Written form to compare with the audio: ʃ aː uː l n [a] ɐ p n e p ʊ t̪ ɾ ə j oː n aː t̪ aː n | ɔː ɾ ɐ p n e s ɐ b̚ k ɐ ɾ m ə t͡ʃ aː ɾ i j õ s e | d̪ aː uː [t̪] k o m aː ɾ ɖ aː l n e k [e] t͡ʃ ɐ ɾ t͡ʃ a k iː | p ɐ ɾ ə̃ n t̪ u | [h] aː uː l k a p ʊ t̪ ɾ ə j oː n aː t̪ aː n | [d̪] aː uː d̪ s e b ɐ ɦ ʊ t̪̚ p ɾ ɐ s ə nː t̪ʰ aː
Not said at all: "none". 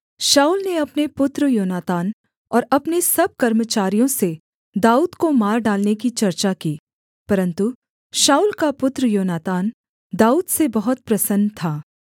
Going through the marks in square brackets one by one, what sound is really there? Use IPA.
e, d̪, i, ʃ, d̪

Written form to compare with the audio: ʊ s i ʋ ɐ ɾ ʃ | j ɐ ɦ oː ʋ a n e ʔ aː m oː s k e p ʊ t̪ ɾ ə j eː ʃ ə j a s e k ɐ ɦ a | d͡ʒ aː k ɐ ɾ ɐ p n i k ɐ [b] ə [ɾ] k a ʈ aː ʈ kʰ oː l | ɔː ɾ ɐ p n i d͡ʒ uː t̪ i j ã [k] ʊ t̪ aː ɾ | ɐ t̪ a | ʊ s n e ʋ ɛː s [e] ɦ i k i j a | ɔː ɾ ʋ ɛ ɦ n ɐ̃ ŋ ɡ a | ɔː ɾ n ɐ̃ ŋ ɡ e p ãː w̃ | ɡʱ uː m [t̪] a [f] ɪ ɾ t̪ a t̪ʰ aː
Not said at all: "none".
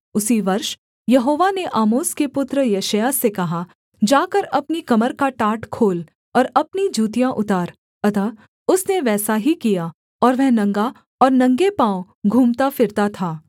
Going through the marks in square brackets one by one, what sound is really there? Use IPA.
m, ɾ, ʔ, a, t̪, f

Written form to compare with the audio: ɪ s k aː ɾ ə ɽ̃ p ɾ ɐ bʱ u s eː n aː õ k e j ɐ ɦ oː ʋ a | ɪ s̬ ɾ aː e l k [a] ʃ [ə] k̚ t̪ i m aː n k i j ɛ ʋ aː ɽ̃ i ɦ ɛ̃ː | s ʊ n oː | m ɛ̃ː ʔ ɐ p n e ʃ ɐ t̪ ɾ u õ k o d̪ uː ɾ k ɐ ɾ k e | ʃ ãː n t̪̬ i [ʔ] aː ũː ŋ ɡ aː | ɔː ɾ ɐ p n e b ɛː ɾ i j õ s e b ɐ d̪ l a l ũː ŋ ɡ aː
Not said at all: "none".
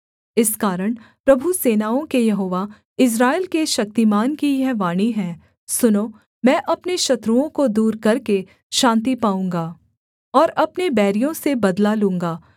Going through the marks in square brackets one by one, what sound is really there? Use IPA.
e, ɐ, p

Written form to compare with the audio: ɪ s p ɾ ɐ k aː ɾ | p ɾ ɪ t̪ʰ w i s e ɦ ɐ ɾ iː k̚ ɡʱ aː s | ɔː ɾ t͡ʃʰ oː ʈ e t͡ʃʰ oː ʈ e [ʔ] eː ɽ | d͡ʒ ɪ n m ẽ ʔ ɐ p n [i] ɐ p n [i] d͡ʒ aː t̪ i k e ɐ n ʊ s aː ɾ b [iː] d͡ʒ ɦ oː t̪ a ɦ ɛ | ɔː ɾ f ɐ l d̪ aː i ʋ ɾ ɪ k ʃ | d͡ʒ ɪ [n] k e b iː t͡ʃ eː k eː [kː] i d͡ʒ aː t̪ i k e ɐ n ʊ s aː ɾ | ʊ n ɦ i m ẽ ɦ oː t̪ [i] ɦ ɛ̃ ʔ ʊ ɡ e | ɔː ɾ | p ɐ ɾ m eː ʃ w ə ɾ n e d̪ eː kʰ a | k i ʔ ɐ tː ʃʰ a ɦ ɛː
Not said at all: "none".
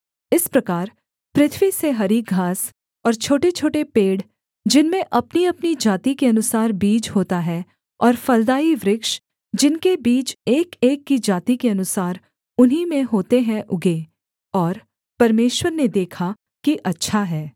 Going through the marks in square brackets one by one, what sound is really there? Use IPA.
p, i, i, iː, n, kː, e

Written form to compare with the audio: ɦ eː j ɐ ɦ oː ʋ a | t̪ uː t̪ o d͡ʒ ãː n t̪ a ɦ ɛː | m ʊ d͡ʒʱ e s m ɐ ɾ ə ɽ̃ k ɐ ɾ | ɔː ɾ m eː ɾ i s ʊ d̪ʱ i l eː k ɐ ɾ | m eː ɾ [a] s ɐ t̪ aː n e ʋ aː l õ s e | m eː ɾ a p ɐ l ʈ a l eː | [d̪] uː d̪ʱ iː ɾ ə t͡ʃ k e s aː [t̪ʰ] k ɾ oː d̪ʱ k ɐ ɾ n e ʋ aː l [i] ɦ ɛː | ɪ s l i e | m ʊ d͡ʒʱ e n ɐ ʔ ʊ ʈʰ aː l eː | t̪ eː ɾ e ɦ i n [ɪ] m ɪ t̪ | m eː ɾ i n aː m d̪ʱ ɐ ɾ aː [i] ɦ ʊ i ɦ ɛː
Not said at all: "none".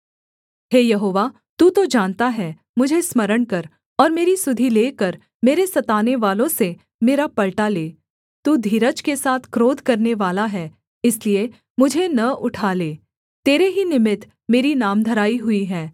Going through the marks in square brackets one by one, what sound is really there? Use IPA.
e, t̪, t̪ʰ, a, ɪ, i

